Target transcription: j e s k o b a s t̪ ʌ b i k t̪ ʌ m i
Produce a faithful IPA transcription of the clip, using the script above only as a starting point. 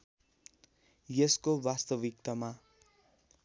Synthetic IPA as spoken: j e s k o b a s t̪ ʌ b i k t̪ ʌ m a